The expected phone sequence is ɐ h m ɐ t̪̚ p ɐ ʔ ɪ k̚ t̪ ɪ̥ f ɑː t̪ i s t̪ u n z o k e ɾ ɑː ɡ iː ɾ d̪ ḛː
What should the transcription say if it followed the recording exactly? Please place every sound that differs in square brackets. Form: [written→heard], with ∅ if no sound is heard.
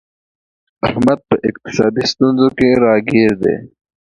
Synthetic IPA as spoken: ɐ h m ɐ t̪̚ p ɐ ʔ ɪ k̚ t̪ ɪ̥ [f→s] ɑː [t̪→d̪] i s t̪ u n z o k e ɾ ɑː ɡ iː ɾ d̪ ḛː